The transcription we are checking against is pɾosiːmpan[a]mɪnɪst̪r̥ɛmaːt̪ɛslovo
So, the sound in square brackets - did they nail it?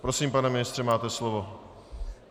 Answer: no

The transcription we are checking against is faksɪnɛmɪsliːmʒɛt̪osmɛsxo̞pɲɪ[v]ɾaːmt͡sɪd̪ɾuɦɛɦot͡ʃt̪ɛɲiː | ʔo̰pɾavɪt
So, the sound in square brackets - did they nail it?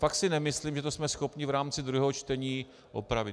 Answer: yes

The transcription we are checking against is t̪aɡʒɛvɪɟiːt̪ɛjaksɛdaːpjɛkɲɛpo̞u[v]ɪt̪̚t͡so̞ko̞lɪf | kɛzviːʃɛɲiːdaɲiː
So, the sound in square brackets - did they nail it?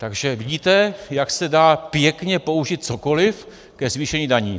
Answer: no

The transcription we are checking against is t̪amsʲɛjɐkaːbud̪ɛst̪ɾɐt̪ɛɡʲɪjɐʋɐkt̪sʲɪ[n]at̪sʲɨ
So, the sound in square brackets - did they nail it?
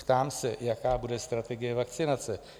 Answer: yes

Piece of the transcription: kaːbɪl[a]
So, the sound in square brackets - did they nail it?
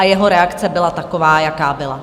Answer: yes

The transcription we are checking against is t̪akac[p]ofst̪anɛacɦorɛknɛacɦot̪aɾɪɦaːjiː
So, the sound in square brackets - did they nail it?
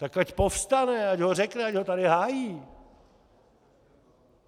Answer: yes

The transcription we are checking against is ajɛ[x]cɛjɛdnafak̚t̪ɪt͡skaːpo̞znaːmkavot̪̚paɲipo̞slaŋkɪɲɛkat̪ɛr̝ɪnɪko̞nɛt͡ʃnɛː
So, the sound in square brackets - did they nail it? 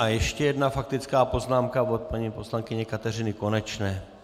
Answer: no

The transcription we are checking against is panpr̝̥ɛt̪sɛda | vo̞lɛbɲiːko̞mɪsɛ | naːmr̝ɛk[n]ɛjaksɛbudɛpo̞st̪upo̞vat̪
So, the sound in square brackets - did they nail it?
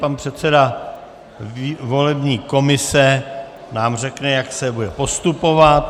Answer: yes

